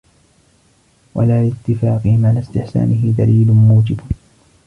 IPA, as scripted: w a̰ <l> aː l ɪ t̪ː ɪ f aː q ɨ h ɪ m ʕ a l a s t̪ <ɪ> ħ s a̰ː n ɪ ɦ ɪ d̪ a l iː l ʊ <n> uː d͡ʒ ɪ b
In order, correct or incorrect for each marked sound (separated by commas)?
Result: correct, correct, incorrect